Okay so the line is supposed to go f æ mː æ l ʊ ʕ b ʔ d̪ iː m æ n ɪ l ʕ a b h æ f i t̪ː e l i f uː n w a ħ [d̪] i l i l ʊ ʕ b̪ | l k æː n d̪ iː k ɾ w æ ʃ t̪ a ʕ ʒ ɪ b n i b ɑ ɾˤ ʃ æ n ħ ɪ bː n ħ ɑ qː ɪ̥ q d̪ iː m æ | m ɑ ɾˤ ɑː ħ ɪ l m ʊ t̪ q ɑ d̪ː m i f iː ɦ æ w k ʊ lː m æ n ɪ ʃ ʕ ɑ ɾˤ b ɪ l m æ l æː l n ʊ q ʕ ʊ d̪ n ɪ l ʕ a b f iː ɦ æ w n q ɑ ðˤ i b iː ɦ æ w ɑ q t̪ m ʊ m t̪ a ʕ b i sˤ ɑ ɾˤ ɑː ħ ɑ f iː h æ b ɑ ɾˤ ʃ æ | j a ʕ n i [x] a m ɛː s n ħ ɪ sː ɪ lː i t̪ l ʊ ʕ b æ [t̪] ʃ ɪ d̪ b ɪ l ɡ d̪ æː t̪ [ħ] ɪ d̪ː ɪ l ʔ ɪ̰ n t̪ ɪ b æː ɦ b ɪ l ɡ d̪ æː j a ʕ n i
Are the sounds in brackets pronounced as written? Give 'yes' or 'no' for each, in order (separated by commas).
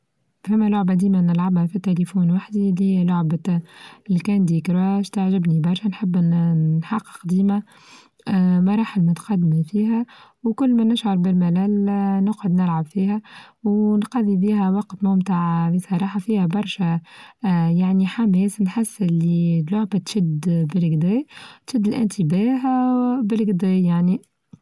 yes, no, yes, no